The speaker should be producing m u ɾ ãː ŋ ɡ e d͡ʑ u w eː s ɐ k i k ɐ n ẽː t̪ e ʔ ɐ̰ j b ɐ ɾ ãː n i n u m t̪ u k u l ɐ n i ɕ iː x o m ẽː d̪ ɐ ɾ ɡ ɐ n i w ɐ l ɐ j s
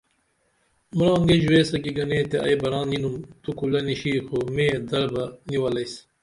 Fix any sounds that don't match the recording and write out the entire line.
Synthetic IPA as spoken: m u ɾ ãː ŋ ɡ e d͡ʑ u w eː s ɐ k i ɡ ɐ n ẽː t̪ e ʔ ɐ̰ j b ɐ ɾ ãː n i n u m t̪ u k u l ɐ n i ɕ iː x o m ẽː d̪ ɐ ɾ b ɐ n i w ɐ l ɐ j s